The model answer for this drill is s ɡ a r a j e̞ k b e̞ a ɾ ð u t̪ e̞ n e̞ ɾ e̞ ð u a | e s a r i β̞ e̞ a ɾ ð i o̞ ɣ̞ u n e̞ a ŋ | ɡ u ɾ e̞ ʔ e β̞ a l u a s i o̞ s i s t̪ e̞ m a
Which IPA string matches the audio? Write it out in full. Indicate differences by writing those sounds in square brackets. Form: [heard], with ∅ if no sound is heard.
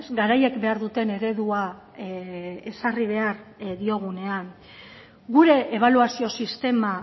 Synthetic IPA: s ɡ a [ɾ] a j e̞ k b e̞ a ɾ ð u t̪ e̞ n e̞ ɾ e̞ ð u a | e s a r i β̞ e̞ a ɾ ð i o̞ ɣ̞ u n e̞ a ŋ | ɡ u ɾ e̞ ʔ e β̞ a l u a s i o̞ s i s t̪ e̞ m a